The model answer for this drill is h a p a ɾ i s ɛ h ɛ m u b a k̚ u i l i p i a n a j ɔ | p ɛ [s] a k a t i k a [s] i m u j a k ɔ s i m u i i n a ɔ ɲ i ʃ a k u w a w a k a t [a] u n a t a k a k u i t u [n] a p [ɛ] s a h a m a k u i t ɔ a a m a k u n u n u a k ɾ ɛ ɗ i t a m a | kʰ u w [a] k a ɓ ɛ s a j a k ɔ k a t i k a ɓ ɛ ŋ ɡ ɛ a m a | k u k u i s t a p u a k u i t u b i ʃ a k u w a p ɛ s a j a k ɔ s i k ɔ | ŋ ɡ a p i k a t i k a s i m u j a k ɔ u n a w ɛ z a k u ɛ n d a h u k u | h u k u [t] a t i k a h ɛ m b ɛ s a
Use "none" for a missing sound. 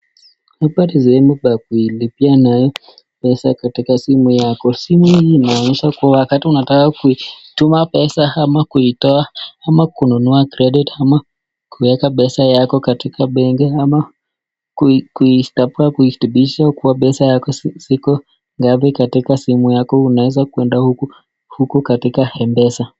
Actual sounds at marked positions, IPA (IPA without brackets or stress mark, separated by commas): s, s, i, m, ɛ, ɛ, k